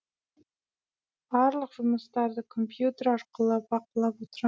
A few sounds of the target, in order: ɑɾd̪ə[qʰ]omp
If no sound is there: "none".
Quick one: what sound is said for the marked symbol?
kʰ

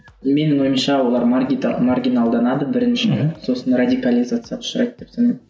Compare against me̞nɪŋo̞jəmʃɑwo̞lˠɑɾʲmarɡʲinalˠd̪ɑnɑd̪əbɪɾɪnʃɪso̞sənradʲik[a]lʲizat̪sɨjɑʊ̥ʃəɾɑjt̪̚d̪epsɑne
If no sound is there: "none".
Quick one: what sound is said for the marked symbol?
a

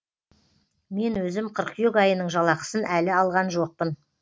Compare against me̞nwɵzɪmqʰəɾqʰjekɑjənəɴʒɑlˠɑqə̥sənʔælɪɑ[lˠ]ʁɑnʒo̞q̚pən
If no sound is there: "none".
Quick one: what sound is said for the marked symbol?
lˠ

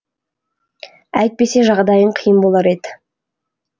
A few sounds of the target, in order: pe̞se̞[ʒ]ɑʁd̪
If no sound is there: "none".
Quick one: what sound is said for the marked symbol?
ʒ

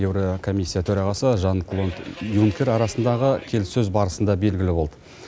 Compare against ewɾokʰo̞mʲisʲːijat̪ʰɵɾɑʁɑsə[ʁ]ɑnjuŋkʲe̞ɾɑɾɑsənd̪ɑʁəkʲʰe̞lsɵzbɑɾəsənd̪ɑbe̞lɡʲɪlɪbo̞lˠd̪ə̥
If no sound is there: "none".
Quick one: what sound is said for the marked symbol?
ʒ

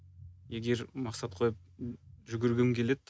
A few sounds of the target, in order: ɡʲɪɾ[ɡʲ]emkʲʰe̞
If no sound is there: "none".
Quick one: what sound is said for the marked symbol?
ɡʲ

